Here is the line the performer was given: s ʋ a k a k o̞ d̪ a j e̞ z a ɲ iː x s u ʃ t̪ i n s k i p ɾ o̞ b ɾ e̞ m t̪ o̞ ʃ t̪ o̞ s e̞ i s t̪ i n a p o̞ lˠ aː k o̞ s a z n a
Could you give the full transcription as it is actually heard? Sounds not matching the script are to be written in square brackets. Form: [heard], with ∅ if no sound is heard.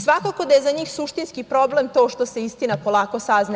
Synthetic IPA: s ʋ a k a k o̞ d̪ a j e̞ z a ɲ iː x s u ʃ t̪ i n s k i p ɾ o̞ b [l] e̞ m t̪ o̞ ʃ t̪ o̞ s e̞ i s t̪ i n a p o̞ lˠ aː k o̞ s a z n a